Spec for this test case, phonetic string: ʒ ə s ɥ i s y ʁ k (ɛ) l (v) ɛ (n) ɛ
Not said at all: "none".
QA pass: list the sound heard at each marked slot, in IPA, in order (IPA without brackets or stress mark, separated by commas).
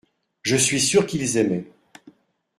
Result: i, z, m